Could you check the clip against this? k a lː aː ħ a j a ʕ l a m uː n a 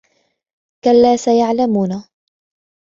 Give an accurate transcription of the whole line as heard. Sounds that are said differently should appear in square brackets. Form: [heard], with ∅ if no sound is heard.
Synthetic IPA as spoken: k a lː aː [s] a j a ʕ l a m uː n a